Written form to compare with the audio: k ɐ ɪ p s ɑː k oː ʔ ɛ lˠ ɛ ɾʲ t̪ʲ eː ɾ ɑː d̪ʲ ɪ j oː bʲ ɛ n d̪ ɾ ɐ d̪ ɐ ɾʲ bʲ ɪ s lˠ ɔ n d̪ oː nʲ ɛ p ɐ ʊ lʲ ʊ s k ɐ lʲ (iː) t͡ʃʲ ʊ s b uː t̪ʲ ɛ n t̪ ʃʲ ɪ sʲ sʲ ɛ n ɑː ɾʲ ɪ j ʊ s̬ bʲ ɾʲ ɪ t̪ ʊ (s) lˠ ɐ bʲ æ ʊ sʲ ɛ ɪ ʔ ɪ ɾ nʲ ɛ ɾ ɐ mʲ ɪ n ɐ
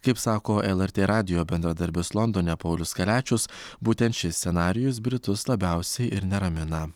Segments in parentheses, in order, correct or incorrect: incorrect: æː, correct

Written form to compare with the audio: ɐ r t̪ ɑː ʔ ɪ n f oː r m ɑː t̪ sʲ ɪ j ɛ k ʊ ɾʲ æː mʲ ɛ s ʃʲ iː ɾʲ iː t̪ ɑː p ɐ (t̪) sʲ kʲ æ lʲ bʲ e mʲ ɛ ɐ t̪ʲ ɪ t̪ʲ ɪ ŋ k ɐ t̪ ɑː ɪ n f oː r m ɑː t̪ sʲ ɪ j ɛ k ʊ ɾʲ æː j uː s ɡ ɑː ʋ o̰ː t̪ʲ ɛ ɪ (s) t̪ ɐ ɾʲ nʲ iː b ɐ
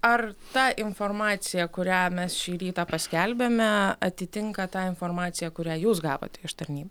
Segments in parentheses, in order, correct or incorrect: incorrect: none, incorrect: ʃ

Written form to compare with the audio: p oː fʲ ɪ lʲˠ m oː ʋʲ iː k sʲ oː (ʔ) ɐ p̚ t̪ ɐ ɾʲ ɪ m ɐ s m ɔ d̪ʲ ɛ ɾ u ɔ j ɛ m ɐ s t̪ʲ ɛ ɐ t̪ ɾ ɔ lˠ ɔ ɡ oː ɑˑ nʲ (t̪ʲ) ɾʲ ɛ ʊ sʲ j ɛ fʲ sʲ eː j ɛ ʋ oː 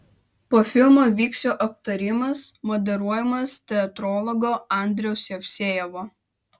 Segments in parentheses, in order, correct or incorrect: correct, incorrect: d̪ʲ

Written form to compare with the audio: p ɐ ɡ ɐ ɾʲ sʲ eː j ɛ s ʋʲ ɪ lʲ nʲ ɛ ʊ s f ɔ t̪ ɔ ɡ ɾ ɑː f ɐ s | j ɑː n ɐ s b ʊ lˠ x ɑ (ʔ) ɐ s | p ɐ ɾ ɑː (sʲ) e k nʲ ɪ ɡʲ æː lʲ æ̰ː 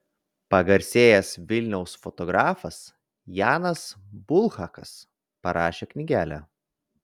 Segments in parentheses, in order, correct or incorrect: incorrect: k, incorrect: ʃʲ

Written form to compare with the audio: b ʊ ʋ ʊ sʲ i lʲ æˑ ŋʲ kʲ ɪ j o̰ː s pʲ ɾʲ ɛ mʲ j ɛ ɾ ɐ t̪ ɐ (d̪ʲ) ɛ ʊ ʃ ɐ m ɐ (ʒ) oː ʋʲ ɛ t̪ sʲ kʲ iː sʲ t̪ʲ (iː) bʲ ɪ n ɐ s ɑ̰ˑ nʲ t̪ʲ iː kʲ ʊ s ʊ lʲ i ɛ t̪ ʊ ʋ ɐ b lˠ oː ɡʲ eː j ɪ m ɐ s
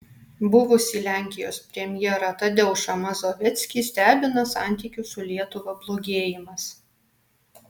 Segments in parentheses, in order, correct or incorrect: correct, incorrect: z, incorrect: æː

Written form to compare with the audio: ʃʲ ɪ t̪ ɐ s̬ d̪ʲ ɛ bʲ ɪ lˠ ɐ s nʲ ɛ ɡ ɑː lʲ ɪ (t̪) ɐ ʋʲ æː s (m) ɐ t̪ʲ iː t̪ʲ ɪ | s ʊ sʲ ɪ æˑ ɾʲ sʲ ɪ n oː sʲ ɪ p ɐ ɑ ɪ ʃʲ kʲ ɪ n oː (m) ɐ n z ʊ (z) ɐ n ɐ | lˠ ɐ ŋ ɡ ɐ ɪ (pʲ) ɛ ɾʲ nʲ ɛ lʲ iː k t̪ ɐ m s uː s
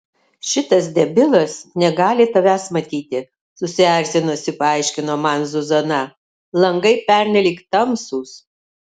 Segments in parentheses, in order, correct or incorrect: correct, correct, correct, correct, correct

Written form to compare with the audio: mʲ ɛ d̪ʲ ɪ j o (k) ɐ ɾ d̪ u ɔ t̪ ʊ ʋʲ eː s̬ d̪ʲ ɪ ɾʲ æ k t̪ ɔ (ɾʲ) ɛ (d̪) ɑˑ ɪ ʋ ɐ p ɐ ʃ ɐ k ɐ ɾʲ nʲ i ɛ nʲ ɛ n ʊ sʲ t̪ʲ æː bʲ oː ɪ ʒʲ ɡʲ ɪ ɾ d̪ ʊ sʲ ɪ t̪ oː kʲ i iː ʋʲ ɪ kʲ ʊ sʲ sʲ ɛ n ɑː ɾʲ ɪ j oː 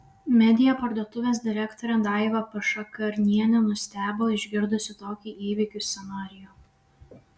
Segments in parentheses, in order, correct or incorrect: incorrect: p, correct, correct

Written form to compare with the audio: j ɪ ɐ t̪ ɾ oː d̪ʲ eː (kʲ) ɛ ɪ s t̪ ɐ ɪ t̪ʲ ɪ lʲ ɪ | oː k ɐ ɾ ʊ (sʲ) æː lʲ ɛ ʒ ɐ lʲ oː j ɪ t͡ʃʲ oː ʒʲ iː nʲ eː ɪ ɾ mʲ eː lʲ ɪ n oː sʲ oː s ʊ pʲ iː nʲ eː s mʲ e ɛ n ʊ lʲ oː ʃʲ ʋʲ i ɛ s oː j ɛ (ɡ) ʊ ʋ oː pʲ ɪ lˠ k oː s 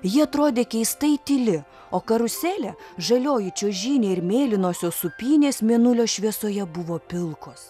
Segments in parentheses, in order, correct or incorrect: correct, correct, incorrect: b

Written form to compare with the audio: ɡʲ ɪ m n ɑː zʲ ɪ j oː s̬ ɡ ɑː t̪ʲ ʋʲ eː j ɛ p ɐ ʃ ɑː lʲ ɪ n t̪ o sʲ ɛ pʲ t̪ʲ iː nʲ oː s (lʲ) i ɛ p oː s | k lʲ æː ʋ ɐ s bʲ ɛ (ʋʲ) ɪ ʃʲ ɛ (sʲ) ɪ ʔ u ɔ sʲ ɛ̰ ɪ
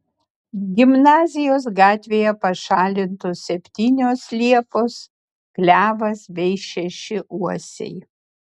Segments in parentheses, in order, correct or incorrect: correct, incorrect: none, incorrect: ʃʲ

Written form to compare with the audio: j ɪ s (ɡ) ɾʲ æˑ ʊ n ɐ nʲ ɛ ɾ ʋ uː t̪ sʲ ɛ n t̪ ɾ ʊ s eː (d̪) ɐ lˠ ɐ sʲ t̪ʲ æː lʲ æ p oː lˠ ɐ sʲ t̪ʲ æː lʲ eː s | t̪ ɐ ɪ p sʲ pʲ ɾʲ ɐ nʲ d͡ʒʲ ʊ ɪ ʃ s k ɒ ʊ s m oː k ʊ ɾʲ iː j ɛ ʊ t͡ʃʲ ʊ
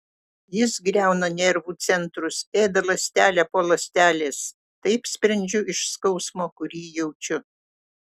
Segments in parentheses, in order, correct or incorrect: correct, correct

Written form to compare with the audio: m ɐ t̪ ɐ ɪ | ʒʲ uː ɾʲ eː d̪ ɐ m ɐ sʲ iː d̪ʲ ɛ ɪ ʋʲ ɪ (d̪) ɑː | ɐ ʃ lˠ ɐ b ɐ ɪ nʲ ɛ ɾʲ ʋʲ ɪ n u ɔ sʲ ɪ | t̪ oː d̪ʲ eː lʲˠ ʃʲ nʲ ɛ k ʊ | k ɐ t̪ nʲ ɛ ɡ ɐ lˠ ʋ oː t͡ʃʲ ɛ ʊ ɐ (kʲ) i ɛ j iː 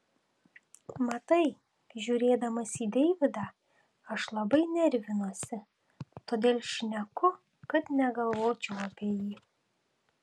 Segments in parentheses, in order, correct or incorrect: correct, incorrect: pʲ

